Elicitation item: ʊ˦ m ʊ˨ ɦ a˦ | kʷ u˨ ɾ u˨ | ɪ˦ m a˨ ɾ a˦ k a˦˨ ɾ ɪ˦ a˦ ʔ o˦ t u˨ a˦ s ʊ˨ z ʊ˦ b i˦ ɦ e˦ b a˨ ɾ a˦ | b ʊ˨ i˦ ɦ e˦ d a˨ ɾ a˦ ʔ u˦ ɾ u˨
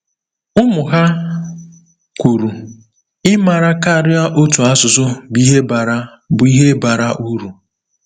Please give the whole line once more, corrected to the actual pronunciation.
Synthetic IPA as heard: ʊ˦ m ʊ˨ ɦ a˦ | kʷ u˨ ɾ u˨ | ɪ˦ m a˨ ɾ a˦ k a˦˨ ɾ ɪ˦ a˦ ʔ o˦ t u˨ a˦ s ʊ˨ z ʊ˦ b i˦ ɦ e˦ b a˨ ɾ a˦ | b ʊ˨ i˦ ɦ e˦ b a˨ ɾ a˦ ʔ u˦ ɾ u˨